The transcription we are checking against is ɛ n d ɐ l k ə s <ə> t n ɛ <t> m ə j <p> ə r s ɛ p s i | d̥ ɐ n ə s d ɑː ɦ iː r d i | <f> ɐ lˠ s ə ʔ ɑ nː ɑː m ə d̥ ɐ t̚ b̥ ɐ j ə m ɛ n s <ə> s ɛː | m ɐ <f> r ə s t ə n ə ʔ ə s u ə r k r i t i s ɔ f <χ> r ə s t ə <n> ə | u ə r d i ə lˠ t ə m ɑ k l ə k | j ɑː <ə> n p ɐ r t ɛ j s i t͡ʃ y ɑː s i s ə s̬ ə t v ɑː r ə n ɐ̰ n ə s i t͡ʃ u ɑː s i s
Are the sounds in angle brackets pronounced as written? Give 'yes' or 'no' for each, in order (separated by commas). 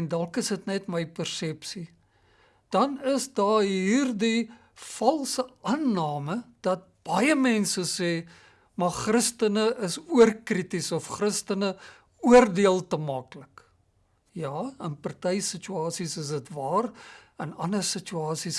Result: yes, yes, yes, yes, yes, no, yes, yes, yes